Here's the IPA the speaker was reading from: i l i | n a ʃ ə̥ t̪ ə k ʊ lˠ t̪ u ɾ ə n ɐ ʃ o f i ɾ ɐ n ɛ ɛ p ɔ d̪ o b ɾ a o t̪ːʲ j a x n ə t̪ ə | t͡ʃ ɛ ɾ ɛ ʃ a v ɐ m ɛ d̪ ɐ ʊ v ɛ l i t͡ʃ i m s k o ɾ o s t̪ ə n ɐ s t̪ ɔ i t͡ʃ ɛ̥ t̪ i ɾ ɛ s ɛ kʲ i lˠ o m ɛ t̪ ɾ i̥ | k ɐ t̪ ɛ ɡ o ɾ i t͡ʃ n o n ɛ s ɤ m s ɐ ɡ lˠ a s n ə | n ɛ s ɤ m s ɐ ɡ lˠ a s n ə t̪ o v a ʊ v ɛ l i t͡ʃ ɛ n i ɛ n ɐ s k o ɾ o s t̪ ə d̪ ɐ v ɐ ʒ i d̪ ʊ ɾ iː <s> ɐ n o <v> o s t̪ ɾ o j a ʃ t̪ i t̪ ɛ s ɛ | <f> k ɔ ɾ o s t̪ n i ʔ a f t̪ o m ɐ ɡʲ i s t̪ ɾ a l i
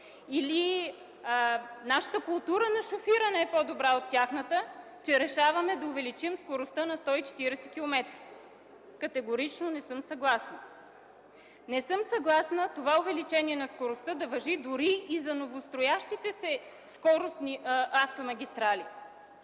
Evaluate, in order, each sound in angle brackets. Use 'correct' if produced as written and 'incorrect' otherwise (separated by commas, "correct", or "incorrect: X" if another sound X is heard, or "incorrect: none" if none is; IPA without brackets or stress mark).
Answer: incorrect: z, correct, incorrect: s